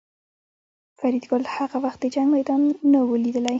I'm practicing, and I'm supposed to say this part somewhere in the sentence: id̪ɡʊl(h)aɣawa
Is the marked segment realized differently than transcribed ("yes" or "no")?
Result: no